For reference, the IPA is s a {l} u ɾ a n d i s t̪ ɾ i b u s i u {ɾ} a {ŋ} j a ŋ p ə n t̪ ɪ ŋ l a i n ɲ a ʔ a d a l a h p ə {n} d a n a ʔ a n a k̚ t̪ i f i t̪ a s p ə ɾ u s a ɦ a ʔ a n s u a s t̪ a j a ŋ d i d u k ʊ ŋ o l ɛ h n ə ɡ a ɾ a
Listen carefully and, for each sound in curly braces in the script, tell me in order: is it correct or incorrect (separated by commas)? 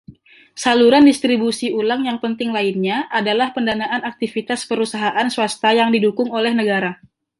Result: correct, incorrect, correct, correct